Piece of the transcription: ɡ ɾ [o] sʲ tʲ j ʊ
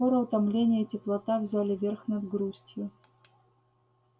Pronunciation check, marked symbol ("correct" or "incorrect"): incorrect